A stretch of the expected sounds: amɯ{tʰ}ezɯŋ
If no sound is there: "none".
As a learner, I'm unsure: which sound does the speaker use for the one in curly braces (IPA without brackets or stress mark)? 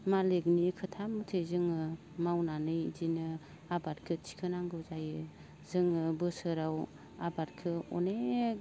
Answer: tʰ